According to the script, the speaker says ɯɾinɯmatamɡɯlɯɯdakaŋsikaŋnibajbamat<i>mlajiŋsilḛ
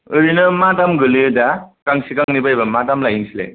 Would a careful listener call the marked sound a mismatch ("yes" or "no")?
yes